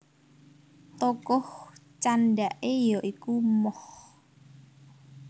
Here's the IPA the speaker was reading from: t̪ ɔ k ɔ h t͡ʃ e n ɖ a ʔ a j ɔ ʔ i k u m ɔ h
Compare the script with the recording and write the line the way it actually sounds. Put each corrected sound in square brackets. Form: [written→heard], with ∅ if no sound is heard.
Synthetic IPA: t̪ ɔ k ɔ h t͡ʃ [e→a] n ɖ a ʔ [a→e] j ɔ ʔ i k u m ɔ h